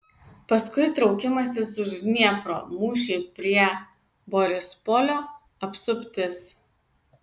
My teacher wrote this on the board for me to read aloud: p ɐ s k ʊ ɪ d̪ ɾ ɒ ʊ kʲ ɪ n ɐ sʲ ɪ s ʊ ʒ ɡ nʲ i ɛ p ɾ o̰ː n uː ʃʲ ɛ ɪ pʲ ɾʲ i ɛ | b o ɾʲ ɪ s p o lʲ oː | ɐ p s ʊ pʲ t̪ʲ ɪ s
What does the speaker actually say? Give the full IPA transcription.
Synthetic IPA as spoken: p ɐ s k ʊ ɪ t̪ ɾ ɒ ʊ kʲ ɪ m ɐ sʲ ɪ s ʊ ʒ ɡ nʲ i ɛ p ɾ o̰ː m uː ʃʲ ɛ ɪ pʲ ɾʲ i ɛ | b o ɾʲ ɪ s p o lʲ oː | ɐ p s ʊ pʲ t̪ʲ ɪ s